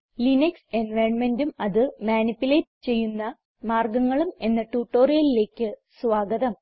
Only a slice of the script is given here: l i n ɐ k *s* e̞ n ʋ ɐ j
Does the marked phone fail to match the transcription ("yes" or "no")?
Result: no